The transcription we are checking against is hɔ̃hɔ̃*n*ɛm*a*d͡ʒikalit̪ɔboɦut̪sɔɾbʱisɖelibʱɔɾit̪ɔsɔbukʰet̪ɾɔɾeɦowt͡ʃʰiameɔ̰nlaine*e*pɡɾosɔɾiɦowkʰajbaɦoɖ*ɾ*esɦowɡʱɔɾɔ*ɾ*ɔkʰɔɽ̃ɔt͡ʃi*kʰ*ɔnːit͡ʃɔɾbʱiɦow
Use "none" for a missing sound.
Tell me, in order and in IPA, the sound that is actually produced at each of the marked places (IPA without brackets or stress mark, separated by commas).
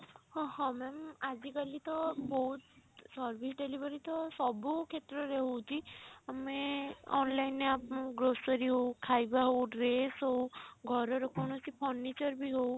m, a, a, ɾ, ɾ, pʰ